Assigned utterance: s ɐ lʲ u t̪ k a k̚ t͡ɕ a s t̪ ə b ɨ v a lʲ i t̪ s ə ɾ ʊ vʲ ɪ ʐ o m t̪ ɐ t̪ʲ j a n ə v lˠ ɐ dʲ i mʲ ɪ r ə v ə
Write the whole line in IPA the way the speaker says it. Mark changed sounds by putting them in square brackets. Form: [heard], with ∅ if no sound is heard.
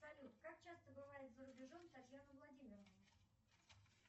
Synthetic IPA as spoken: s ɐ lʲ u t̪ k a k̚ t͡ɕ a s t̪ ə b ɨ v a [ɾʲ] i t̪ [z] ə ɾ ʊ [bʲ] ɪ ʐ o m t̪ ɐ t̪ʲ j a n ə v lˠ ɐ dʲ i mʲ ɪ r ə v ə